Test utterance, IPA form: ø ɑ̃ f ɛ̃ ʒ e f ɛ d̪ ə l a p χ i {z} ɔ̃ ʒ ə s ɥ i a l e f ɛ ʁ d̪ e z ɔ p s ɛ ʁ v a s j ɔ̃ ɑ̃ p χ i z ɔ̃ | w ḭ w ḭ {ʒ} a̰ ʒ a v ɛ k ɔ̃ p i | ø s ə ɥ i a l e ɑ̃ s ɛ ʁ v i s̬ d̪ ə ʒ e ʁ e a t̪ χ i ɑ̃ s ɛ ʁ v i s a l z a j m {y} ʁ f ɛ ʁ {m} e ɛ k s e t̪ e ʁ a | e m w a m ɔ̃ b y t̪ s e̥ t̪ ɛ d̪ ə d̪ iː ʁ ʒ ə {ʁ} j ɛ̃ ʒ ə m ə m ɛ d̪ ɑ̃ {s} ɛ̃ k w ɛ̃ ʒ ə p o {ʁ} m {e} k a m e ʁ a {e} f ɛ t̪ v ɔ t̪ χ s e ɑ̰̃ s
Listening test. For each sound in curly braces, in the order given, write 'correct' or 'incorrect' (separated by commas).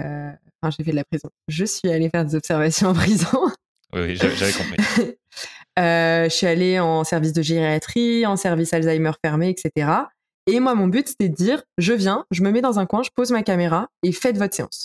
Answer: correct, correct, incorrect, correct, incorrect, incorrect, incorrect, incorrect, correct